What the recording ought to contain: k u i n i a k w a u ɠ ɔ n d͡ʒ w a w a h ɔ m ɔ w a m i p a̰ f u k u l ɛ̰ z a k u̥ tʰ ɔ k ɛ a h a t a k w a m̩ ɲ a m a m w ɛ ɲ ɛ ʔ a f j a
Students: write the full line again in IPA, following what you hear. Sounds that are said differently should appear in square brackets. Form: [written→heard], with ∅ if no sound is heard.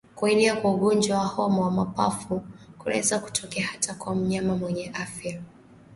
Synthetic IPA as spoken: k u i n i a k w a u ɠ ɔ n d͡ʒ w a w a h ɔ m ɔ w a m [i→a] p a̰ f u k u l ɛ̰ z a k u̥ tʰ ɔ k ɛ a h a t a k w a m̩ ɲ a m a m w ɛ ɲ ɛ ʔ a f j a

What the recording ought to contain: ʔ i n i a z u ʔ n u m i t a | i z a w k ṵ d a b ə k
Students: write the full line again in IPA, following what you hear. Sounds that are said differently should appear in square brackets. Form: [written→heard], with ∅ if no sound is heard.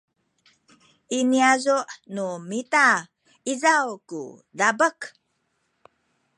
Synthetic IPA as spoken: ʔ i n i a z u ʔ n u m i t a | i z a w k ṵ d a b ə k

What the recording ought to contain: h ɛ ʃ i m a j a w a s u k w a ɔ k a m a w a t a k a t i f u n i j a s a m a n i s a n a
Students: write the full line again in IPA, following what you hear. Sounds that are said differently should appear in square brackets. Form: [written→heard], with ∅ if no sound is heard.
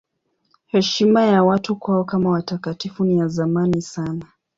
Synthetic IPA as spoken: h ɛ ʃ i m a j a w a [s→t] u k w a ɔ k a m a w a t a k a t i f u n i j a [s→z] a m a n i s a n a

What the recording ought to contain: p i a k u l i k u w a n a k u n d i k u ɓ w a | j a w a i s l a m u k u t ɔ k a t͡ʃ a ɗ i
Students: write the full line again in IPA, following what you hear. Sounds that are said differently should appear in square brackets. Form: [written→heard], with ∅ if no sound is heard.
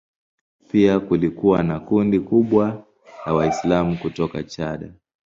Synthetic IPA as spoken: p i a k u l i k u w a n a k u n d i k u ɓ w a | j a w a i s l a m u k u t ɔ k a t͡ʃ a ɗ [i→a]

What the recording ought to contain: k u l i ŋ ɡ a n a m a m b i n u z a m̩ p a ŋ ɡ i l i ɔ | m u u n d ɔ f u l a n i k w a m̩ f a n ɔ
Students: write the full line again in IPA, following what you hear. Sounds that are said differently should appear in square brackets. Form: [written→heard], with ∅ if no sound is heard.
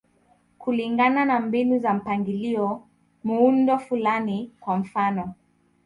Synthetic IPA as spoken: k u l i ŋ ɡ a n a [m→n] a m b i n u z a m̩ p a ŋ ɡ i l i ɔ | m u u n d ɔ f u l a n i k w a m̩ f a n ɔ

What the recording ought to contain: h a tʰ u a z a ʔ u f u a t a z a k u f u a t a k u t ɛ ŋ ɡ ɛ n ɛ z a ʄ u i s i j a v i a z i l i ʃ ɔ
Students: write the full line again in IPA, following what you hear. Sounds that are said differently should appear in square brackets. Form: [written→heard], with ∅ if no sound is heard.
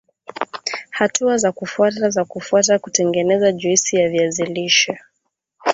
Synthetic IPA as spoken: h a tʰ u a z a [ʔ→k] u f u a t a z a k u f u a t a k u t ɛ ŋ ɡ ɛ n ɛ z a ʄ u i s i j a v i a z i l i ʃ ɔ

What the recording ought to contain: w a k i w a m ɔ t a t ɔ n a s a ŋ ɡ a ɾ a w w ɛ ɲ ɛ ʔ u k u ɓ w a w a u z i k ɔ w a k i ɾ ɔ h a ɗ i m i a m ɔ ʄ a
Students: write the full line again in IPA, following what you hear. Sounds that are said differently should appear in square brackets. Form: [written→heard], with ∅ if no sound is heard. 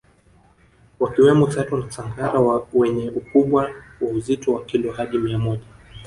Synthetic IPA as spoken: w a k i w [a→ɛ] m ɔ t a t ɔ n a s a ŋ ɡ a ɾ a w w ɛ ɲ ɛ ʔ u k u ɓ w a w a u z i [k→t] ɔ w a k i [ɾ→l] ɔ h a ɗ i m i a m ɔ ʄ a

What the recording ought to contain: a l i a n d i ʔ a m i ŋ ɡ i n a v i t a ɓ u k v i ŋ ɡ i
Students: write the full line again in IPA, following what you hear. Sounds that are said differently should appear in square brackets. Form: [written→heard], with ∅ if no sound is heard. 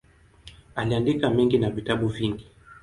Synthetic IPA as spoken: a l i a n d i [ʔ→k] a m [i→ɛ] ŋ ɡ i n a v i t a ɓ u [k→∅] v i ŋ ɡ i

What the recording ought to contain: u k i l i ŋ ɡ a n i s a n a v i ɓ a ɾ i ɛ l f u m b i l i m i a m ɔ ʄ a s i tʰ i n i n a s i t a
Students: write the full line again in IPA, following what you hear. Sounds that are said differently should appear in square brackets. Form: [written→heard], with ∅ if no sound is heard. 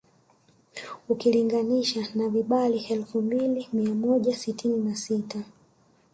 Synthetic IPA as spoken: u k i l i ŋ ɡ a n i [s→ʃ] a n a v i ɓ a [ɾ→l] i ɛ l f u m b i l i m i a m ɔ ʄ a s i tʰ i n i n a s i t a

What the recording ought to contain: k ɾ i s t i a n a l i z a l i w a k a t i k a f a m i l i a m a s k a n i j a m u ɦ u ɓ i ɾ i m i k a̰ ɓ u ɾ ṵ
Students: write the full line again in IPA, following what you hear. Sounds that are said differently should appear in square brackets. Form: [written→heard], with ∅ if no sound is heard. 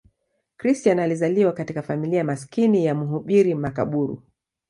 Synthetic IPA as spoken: k ɾ i s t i a n a l i z a l i w a k a t i k a f a m i l i a m a s k [a→i] n i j a m u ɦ u ɓ i ɾ i m [i→a] k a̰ ɓ u ɾ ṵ

